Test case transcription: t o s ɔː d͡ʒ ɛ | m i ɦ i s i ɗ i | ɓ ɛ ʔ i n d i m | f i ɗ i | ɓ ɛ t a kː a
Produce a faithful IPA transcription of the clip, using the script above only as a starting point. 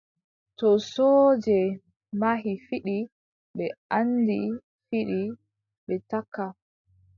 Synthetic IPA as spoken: t ɔ s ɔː d͡ʒ ɛ | m a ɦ i f i ɗ i | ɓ ɛ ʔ a n d i | f i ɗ i | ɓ ɛ t a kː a